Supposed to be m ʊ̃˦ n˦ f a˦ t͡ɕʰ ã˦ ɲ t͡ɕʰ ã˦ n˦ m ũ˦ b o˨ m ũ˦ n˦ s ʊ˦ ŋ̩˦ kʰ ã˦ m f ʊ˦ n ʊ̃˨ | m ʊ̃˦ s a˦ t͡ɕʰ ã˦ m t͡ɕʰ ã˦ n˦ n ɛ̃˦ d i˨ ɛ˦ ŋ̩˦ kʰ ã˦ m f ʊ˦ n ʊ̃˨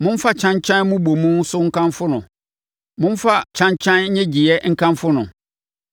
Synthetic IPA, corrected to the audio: m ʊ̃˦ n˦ f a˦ t͡ɕʰ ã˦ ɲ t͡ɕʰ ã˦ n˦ m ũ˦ b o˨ m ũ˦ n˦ s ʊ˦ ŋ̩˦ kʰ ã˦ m f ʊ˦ n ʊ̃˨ | m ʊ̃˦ f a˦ t͡ɕʰ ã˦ ɲ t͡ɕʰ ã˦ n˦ ɲ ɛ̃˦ d͡ʑ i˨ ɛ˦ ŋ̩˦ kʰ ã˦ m f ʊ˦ n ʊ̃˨